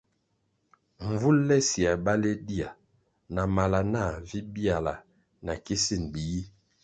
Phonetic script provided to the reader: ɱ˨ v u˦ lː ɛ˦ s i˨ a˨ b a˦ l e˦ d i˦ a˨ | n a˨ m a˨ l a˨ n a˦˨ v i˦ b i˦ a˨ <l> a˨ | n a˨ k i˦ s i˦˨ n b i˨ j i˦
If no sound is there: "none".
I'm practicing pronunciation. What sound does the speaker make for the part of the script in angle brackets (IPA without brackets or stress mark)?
l